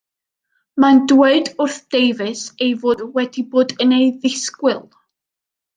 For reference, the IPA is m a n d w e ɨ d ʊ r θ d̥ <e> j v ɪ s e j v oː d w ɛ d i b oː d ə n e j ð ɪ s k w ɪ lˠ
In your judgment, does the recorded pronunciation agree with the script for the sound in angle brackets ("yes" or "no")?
yes